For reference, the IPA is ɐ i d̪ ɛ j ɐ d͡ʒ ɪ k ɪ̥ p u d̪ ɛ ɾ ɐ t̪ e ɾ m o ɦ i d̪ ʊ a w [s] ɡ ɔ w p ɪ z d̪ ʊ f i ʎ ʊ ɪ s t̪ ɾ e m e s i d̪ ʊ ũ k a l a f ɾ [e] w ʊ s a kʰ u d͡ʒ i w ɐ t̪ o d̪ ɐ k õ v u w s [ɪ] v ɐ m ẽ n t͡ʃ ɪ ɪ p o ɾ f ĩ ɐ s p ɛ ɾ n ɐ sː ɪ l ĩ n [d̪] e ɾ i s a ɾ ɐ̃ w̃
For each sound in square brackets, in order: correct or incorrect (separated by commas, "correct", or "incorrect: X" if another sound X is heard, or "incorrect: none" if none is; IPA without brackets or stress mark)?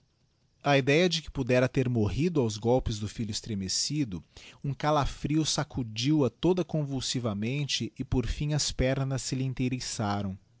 incorrect: z, incorrect: i, incorrect: i, incorrect: t̪